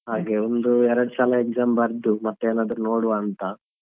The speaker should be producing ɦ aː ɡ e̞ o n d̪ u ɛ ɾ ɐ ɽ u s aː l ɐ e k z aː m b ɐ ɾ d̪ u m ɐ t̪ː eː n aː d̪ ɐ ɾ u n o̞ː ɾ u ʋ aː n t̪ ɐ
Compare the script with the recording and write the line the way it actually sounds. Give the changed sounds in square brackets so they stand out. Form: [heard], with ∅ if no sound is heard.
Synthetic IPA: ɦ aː ɡ e̞ o n d̪ u ɛ ɾ ɐ ɽ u s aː l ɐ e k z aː m b ɐ ɾ d̪ u m ɐ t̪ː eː n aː d̪ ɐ ɾ u n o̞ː [ɽ] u ʋ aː n t̪ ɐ